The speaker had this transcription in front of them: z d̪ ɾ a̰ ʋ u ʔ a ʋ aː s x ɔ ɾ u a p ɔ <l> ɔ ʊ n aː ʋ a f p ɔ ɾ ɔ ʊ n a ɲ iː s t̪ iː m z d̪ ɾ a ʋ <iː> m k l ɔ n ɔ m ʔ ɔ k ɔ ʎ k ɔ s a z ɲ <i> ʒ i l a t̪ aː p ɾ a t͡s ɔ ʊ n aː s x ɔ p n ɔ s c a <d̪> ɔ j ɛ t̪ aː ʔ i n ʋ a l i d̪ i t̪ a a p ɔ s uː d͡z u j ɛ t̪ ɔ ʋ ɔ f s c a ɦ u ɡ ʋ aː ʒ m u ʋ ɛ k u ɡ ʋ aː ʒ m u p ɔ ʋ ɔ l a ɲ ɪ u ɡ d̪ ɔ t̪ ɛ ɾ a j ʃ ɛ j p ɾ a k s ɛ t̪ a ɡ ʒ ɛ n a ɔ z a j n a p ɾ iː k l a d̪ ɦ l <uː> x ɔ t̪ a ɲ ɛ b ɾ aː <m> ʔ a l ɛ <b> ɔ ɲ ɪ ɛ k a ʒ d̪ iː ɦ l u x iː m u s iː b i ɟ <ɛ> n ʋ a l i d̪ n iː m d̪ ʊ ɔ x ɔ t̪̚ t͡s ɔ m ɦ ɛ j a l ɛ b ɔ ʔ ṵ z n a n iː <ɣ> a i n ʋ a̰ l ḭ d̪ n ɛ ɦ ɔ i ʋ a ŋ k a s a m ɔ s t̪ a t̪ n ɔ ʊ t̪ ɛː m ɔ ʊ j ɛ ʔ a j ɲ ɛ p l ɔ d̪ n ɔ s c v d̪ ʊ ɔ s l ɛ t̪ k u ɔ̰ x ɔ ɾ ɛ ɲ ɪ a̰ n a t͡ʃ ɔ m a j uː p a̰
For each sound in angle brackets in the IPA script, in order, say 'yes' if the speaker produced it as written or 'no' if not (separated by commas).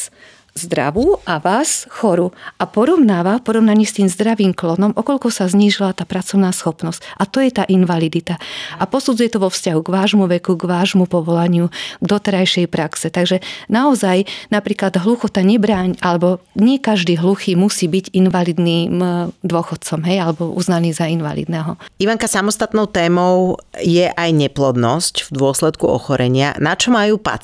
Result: no, yes, no, no, no, no, yes, no, no